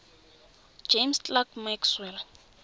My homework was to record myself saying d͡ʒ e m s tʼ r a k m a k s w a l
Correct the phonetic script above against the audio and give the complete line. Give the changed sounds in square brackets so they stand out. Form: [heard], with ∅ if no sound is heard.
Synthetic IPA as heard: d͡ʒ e m s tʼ [l] a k m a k s w [ɛ] l